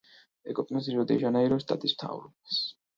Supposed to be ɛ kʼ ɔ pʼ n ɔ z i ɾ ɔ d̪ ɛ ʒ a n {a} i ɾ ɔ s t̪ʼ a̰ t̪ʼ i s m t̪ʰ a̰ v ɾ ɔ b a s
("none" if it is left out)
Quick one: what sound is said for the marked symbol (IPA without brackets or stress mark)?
a